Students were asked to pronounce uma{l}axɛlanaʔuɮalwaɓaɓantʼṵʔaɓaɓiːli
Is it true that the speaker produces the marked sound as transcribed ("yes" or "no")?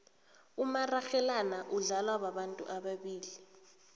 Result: no